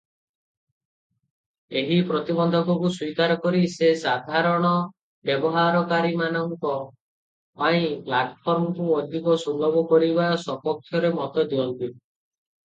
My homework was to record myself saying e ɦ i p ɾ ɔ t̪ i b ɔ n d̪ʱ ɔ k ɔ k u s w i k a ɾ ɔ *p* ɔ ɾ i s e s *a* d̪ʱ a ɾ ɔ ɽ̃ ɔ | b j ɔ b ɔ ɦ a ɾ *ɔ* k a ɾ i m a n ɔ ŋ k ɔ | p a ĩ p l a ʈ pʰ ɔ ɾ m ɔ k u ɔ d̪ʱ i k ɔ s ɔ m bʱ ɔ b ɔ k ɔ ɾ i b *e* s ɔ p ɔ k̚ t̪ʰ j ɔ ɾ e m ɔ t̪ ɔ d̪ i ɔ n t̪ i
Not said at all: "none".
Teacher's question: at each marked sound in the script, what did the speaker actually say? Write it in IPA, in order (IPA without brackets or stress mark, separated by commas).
k, a, ɔ, a